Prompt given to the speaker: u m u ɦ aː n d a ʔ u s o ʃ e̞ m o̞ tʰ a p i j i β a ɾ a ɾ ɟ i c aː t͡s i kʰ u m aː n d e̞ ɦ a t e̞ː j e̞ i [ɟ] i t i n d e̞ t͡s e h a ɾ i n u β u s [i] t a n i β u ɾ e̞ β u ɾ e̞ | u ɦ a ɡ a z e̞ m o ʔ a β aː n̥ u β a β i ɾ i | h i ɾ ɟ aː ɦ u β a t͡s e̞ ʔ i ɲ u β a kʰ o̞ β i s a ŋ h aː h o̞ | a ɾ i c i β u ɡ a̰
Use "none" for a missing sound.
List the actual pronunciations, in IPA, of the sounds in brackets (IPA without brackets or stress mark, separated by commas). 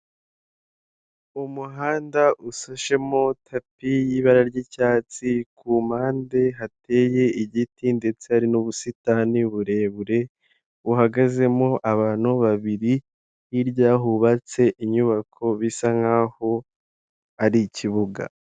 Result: ɟ, i